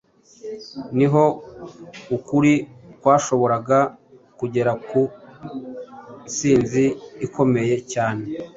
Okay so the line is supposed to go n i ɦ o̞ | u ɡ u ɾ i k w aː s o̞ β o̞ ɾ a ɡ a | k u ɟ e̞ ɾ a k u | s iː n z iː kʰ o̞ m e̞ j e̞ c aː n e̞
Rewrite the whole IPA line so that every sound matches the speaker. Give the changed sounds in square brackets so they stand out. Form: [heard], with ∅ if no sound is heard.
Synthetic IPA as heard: n i ɦ o̞ | u [k] u ɾ i k w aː [ʃ] o̞ β o̞ ɾ a ɡ a | k u ɟ e̞ ɾ a k u | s iː n z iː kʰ o̞ m e̞ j e̞ c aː n e̞